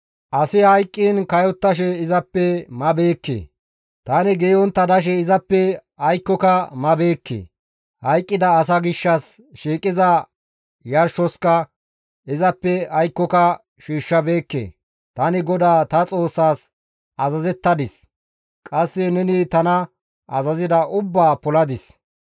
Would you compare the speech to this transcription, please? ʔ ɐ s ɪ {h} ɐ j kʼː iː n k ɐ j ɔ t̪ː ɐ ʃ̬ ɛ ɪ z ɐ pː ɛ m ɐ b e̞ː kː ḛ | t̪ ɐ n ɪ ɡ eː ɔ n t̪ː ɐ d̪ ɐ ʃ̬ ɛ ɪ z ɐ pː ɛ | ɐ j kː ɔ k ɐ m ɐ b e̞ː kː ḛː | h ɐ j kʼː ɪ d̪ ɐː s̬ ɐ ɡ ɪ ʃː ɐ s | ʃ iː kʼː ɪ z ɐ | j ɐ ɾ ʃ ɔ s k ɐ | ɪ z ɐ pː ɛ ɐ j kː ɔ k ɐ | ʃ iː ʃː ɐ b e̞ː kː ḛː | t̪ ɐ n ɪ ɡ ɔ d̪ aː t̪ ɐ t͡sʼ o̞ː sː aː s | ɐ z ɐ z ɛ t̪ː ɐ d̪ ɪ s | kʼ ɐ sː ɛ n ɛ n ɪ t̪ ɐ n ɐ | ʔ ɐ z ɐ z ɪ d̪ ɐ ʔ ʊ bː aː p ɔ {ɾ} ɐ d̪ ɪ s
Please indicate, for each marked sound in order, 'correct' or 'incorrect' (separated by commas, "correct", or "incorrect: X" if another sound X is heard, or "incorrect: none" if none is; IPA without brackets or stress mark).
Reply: correct, incorrect: l